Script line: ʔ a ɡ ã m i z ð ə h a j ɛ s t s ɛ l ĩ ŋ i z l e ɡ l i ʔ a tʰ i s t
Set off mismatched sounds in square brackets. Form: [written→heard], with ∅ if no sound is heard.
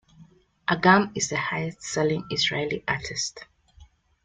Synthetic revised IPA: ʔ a ɡ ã m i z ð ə h a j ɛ s t s ɛ l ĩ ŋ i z [l→ɹ] e [ɡ→∅] l i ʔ a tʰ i s t